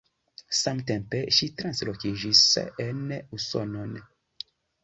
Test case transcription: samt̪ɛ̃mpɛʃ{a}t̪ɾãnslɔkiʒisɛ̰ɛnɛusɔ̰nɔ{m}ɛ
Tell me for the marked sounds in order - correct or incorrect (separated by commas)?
incorrect, incorrect